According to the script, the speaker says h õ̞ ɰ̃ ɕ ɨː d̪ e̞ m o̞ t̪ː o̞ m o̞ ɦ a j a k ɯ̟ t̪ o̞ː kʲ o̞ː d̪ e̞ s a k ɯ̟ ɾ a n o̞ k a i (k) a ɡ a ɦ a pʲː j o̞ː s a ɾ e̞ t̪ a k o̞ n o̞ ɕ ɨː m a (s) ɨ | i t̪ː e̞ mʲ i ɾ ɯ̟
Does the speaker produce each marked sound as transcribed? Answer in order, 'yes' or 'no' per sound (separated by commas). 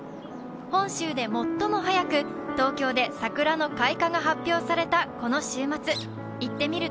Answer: yes, no